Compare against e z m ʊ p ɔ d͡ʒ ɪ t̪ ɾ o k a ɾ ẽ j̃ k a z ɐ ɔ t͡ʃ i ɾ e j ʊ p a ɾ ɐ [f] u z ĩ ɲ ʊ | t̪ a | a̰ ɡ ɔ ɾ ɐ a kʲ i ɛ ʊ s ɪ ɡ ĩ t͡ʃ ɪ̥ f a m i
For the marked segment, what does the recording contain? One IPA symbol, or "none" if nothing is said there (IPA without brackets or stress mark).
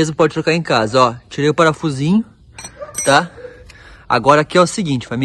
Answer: f